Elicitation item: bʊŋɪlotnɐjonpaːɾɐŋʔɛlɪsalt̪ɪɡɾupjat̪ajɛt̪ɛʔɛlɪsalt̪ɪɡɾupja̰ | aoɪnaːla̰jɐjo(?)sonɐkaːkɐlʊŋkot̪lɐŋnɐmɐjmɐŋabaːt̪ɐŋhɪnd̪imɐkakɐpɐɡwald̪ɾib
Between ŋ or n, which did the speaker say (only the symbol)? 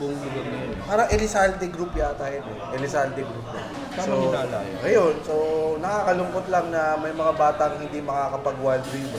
n